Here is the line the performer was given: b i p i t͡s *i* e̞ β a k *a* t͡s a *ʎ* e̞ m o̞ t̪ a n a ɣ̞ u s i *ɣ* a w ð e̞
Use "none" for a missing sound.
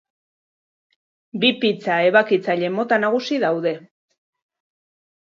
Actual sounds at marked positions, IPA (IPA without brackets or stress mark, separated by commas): a, i, ʎ, ð